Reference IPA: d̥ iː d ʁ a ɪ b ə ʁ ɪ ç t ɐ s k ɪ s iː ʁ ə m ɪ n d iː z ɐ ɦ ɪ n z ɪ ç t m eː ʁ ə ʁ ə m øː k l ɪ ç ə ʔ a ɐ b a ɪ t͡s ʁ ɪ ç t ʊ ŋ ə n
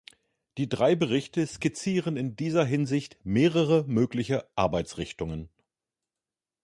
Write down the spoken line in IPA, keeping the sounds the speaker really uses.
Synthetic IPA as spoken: d̥ iː d ʁ a ɪ b ə ʁ ɪ ç t ə s k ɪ t͡s iː ʁ ə n ɪ n d iː z ɐ ɦ ɪ n z ɪ ç t m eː ʁ ə ʁ ə m øː k l ɪ ç ə ʔ a ɐ b a ɪ t͡s ʁ ɪ ç t ʊ ŋ ə n

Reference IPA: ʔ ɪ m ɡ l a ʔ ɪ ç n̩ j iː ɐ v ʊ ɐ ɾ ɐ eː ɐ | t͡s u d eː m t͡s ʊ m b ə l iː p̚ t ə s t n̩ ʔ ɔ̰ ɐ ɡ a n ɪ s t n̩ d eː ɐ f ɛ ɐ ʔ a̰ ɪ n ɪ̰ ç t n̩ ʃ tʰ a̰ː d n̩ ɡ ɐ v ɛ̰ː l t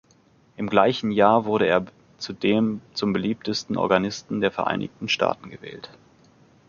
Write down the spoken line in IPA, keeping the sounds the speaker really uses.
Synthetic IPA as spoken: ʔ ɪ m ɡ l a ɪ ç n̩ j aː ɐ v ʊ ɐ ɾ ə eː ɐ | t͡s u d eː m t͡s ʊ m b ə l iː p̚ t ə s t n̩ ʔ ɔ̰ ɐ ɡ a n ɪ s t n̩ d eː ɐ f ɛ ɐ ʔ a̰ ɪ n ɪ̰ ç t n̩ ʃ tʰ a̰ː t n̩ ɡ ə v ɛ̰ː l t

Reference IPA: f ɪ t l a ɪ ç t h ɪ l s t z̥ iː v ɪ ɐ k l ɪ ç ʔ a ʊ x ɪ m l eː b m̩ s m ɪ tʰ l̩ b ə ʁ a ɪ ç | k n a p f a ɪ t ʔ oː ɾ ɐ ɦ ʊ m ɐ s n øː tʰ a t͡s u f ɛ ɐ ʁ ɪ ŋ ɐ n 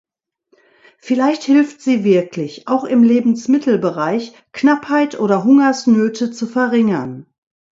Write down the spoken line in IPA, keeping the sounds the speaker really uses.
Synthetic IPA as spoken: f ɪ l a ɪ ç t h ɪ l f t z̥ iː v ɪ ɐ k l ɪ ç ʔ a ʊ x ɪ m l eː b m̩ s m ɪ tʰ l̩ b ə ʁ a ɪ ç | k n a p h a ɪ t ʔ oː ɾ ɐ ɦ ʊ ŋ ɐ s n øː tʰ ə t͡s u f ɛ ɐ ʁ ɪ ŋ ɐ n

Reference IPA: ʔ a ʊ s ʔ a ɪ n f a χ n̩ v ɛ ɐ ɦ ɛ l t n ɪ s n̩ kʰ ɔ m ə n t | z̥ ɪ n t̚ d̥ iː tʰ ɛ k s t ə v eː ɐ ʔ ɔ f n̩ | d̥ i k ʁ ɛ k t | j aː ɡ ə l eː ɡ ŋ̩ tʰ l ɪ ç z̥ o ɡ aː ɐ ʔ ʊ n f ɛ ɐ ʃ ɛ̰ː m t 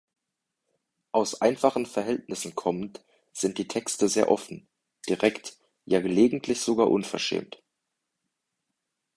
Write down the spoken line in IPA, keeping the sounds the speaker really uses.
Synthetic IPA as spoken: ʔ a ʊ s ʔ a ɪ n f a χ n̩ f ɛ ɐ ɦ ɛ l t n ɪ s n̩ kʰ ɔ m ə n t | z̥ ɪ n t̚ d̥ iː tʰ ɛ k s t ə z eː ɐ ʔ ɔ f n̩ | d̥ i ʁ ɛ k t | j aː ɡ ə l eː ɡ ŋ̩ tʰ l ɪ ç z̥ o ɡ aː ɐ ʔ ʊ n f ɛ ɐ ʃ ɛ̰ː m t

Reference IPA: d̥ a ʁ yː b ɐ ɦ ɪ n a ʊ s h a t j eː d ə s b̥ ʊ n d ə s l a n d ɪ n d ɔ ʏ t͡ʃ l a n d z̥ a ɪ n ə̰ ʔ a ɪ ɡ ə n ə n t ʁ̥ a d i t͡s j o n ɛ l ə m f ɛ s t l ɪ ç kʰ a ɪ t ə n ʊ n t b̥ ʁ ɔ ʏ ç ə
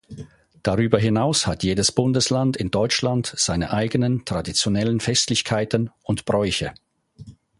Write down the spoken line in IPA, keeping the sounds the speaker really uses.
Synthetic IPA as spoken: d̥ a ʁ yː b ɐ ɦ ɪ n a ʊ s h a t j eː d ə s b̥ ʊ n d ə s l a n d ɪ n d ɔ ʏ t͡ʃ l a n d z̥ a ɪ n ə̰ ʔ a ɪ ɡ ə n ə n t ʁ̥ a d i t͡s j o n ɛ l ə n f ɛ s t l ɪ ç kʰ a ɪ t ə n ʊ n t b̥ ʁ ɔ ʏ ç ə

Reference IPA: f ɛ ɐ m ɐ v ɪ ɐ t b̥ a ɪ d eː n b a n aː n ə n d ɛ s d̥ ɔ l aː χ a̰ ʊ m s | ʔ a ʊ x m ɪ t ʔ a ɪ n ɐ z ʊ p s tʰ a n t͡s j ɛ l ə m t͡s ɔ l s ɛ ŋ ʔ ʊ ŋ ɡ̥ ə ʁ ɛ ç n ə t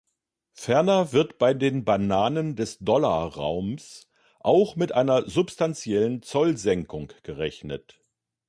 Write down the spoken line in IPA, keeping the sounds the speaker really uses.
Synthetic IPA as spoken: f ɛ ɐ n ɐ v ɪ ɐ t b̥ a ɪ d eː n b a n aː n ə n d ɛ s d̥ ɔ l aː ʁ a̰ ʊ m s | ʔ a ʊ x m ɪ t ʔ a ɪ n ɐ z ʊ p s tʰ a n t͡s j ɛ l ə n t͡s ɔ l z ɛ ŋ k ʊ ŋ ɡ̥ ə ʁ ɛ ç n ə t

